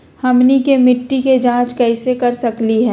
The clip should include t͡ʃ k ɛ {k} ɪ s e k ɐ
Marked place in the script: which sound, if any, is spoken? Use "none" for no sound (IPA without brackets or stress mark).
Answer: none